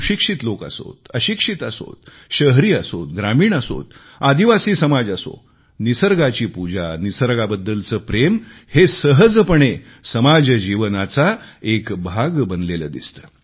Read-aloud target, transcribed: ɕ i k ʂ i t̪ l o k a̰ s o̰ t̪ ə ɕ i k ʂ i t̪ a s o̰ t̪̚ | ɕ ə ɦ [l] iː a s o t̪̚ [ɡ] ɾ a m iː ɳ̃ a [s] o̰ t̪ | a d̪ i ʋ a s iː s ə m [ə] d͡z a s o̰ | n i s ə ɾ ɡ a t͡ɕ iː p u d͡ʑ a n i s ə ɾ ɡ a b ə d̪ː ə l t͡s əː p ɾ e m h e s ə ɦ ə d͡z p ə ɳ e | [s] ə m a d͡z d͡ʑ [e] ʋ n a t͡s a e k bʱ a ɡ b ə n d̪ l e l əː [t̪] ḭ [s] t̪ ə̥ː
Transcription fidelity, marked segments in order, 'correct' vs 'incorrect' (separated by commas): incorrect, correct, correct, incorrect, correct, incorrect, incorrect, correct